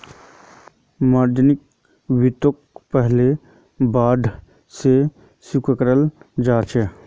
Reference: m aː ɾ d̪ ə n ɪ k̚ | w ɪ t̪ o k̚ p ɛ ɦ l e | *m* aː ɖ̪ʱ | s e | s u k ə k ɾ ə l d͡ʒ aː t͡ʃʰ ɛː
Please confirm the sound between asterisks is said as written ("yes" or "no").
no